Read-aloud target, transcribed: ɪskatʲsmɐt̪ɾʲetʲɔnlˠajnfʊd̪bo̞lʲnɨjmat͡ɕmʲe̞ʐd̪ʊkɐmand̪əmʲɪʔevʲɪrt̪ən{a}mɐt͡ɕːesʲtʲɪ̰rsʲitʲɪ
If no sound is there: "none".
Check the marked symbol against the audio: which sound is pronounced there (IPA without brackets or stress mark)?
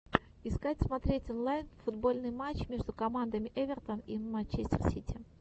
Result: i